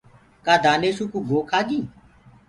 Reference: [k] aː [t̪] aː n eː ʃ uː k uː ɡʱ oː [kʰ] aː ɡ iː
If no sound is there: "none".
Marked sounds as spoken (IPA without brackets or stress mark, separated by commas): k, d̪, kʰ